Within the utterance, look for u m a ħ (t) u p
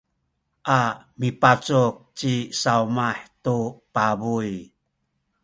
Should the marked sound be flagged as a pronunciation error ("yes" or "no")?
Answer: no